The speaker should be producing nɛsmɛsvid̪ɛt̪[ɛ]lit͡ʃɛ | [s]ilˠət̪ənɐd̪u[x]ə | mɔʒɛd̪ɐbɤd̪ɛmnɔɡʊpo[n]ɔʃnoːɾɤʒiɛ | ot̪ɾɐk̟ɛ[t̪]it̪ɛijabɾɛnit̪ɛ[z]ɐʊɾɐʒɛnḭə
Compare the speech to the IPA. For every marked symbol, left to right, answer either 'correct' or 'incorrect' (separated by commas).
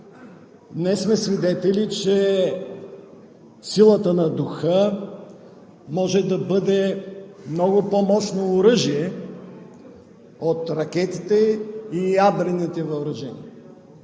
correct, correct, correct, incorrect, correct, incorrect